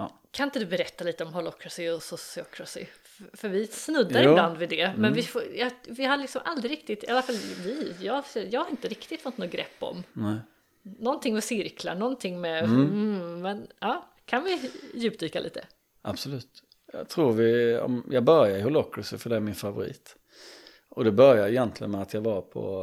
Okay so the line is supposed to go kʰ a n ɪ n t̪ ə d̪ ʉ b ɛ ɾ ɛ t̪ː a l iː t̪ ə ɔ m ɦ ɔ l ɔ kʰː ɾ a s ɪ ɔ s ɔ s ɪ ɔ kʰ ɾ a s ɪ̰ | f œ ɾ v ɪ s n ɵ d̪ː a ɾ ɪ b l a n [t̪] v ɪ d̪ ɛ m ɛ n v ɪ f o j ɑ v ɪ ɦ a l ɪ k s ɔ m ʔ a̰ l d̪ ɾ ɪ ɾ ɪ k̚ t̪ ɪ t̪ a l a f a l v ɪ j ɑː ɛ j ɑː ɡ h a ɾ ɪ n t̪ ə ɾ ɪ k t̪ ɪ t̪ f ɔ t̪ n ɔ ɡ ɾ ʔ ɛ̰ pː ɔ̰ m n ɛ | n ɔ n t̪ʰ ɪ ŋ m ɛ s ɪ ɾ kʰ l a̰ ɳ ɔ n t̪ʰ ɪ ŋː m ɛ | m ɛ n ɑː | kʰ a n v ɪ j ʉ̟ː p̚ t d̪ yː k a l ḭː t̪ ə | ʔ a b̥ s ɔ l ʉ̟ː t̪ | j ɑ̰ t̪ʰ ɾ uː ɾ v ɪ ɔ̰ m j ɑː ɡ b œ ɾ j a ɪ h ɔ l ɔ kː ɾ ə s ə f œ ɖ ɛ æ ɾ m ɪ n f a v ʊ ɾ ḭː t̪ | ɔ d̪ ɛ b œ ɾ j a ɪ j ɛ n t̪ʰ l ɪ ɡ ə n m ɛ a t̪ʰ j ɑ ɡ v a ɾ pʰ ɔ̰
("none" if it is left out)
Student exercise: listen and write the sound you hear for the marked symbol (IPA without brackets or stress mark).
d̪